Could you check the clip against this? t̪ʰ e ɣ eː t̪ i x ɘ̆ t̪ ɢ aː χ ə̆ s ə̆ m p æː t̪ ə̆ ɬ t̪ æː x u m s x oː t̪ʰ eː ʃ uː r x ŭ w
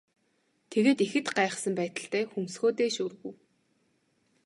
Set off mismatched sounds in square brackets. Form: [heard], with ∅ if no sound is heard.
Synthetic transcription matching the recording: t̪ʰ e ɣ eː t̪ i x ɘ̆ t̪ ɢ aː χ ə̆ s ə̆ m p æː t̪ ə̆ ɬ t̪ æː x u m s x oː [t̪] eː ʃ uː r [ɣ] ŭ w